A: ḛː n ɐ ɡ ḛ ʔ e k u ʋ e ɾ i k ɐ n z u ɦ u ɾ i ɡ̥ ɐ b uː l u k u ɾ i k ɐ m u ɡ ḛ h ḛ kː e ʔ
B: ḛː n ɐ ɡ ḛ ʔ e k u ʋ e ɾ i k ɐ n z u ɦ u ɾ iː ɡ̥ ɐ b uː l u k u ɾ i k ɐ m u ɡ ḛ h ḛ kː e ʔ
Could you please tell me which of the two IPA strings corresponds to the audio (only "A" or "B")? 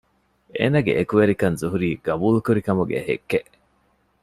B